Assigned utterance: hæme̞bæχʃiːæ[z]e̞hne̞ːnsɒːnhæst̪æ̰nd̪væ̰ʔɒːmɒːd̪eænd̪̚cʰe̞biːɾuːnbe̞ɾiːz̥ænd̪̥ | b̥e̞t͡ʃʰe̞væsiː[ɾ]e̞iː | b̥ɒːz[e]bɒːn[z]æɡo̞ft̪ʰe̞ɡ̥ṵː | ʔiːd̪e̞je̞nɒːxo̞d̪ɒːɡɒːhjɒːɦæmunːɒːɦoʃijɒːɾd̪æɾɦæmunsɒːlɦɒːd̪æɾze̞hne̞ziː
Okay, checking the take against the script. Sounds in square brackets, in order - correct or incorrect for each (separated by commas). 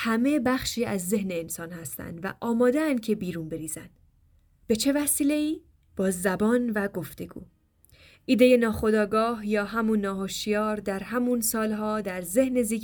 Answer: incorrect, incorrect, incorrect, incorrect